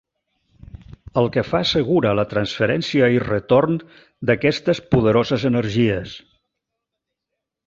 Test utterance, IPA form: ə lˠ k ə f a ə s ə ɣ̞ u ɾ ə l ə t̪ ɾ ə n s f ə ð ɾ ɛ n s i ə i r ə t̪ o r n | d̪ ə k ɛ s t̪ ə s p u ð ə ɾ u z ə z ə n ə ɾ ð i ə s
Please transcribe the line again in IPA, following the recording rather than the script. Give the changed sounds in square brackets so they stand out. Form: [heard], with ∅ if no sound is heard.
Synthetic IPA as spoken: ə lˠ k ə f a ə s ə ɣ̞ u ɾ ə l ə t̪ ɾ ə n s f ə [∅] ɾ ɛ n s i ə i r ə t̪ o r n | d̪ ə k ɛ s t̪ ə s p u ð ə ɾ [o] z ə z ə n ə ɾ [ʒ] i ə s